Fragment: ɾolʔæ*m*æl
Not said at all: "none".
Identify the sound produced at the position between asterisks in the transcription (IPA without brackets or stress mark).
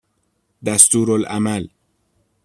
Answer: m